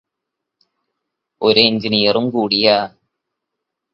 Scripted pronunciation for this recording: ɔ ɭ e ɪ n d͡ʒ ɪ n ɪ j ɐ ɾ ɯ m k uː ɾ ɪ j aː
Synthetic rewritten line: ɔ ɾ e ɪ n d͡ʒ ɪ n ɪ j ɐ ɾ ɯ m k uː ɽ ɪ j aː